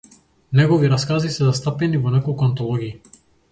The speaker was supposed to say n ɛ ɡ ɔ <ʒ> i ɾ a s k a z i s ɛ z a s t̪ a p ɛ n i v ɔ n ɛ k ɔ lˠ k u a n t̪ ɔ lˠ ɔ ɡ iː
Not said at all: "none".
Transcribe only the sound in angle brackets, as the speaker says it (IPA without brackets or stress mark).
v